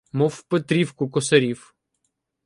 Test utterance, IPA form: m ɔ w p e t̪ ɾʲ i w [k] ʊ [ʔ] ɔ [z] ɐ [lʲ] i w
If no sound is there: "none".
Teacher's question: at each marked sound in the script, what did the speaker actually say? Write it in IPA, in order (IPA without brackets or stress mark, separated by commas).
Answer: k, k, s, ɾʲ